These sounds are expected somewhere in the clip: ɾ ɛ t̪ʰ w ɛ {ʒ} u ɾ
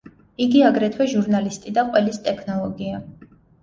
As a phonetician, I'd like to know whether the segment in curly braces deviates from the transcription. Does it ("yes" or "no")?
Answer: no